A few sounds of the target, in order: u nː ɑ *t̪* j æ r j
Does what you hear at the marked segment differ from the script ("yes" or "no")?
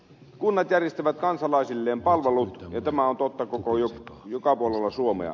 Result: no